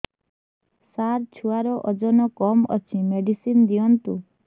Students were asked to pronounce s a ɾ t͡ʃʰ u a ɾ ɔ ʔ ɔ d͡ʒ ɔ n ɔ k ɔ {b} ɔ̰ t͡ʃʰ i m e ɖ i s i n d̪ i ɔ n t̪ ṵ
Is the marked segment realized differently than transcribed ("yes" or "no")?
yes